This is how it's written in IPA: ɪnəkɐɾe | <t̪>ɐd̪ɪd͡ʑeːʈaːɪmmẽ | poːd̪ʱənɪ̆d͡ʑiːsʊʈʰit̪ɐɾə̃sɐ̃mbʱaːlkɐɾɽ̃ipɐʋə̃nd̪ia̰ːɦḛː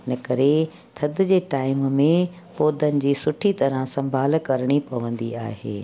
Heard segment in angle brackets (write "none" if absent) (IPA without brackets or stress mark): t̪ʰ